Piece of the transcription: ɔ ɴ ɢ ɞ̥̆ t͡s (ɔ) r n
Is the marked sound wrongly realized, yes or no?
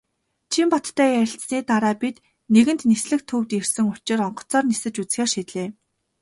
yes